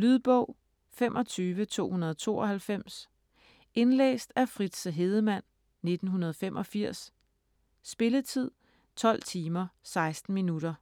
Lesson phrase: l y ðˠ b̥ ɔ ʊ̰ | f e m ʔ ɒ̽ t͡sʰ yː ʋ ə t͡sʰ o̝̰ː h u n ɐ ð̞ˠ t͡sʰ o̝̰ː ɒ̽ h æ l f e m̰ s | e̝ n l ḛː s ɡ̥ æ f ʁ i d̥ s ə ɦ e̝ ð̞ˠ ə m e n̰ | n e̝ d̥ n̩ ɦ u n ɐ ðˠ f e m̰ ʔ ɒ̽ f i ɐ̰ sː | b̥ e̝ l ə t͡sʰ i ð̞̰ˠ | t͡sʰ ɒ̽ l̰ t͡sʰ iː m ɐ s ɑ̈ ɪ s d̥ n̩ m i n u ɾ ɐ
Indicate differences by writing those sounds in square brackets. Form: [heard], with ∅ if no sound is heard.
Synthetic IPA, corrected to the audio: l y ðˠ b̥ ɔ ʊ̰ | f e m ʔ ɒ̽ t͡sʰ yː ʋ ə t͡sʰ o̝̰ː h u n ɐ ð̞ˠ t͡sʰ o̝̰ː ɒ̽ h æ l f e m̰ s | e̝ n l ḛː s [d̥] æ f ʁ i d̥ s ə ɦ e̝ ð̞ˠ ə m [æ] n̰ | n e̝ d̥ n̩ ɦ u n ɐ ðˠ f e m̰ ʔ ɒ̽ f i ɐ̰ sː | b̥ e̝ l ə t͡sʰ i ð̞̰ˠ | t͡sʰ ɒ̽ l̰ t͡sʰ iː m ɐ s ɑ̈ ɪ s d̥ n̩ m i n u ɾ ɐ